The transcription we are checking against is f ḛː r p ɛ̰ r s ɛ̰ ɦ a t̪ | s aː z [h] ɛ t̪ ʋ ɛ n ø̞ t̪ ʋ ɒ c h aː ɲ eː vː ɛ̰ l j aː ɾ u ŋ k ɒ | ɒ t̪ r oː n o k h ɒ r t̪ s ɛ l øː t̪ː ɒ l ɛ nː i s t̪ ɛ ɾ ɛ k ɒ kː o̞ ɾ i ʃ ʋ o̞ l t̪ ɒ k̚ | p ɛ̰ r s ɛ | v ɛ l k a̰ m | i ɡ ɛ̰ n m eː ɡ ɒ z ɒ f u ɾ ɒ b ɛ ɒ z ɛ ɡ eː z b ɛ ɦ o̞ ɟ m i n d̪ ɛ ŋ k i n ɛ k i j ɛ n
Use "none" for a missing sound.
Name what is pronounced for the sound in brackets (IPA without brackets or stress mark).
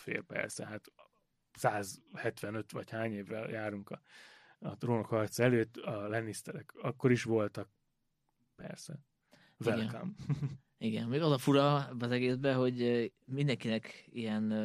h